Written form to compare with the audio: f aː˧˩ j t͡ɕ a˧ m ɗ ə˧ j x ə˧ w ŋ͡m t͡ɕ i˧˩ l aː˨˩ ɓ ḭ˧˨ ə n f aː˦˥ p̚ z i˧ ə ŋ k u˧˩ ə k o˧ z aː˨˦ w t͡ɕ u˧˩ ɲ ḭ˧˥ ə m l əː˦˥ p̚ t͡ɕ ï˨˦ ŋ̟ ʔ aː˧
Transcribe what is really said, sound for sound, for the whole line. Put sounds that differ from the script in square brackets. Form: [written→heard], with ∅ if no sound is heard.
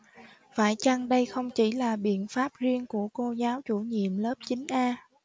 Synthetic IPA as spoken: f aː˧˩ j t͡ɕ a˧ [m→ŋ] ɗ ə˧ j x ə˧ w ŋ͡m t͡ɕ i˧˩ l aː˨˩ ɓ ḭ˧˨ ə n f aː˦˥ p̚ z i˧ ə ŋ k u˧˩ ə k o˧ z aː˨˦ w t͡ɕ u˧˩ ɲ [ḭ˧˥→ḭ˧˨] ə m l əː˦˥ p̚ t͡ɕ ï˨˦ ŋ̟ ʔ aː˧